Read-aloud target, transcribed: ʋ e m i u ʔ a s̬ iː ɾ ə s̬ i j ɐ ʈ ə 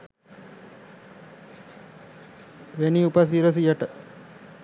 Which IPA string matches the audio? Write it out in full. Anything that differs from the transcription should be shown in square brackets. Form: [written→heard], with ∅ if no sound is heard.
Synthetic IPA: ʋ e [m→n] i u [ʔ→p] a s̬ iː ɾ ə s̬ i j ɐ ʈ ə